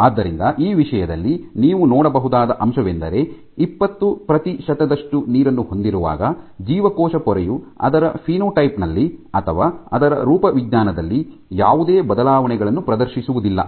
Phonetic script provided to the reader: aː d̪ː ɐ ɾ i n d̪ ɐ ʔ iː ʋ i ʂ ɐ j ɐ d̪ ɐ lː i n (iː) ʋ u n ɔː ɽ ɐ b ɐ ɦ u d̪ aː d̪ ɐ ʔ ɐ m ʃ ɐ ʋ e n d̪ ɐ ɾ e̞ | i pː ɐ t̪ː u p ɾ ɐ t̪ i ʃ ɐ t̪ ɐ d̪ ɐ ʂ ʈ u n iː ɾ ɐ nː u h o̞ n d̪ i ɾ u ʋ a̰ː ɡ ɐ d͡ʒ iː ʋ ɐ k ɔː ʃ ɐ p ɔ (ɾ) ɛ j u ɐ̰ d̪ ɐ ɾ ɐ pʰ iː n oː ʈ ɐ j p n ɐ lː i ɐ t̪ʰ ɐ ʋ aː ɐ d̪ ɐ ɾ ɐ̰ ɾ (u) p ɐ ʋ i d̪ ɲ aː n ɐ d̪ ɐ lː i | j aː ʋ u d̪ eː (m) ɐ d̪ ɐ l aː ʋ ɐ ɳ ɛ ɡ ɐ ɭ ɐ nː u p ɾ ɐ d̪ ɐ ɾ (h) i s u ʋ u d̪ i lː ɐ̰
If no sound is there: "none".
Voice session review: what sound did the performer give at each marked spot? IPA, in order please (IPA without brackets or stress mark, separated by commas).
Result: iː, ɾ, uː, b, ʃ